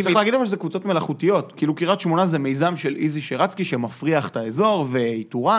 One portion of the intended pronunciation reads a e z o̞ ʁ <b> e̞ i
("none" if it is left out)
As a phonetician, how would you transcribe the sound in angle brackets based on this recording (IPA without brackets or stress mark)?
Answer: v